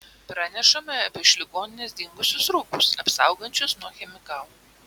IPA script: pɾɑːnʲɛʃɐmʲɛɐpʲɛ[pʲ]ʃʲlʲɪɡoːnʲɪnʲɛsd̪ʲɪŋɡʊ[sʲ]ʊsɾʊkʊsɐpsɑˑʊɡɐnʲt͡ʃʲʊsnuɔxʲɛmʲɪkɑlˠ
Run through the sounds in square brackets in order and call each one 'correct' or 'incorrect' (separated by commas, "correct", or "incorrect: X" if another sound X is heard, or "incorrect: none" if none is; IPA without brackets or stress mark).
incorrect: none, correct